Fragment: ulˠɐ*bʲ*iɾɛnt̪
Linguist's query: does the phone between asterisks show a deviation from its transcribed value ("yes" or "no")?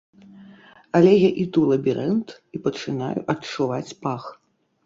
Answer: no